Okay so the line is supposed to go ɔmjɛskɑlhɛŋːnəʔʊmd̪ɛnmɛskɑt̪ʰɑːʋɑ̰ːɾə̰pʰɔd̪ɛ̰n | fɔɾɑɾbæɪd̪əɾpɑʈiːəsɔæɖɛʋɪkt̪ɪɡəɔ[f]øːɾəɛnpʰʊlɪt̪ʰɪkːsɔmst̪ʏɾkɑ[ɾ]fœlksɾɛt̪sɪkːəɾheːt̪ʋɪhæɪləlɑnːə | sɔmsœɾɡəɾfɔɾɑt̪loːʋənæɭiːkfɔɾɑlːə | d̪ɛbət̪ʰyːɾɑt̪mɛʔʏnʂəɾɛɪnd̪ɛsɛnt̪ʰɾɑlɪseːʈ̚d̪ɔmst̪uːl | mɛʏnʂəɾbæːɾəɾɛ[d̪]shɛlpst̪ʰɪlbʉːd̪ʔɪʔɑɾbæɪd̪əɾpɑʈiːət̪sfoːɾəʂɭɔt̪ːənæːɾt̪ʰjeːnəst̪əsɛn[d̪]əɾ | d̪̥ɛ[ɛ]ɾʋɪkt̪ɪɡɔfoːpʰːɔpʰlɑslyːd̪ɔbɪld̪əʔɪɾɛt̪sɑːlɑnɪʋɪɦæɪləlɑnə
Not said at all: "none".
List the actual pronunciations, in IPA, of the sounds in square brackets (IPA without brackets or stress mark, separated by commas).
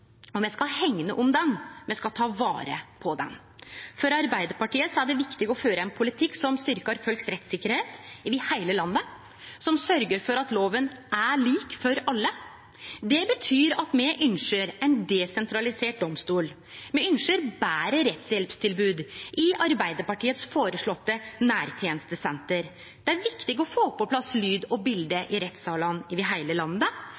f, ɾ, t̪, t̪, æ